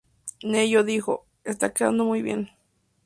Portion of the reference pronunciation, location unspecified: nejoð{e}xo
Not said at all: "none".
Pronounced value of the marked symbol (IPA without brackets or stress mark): i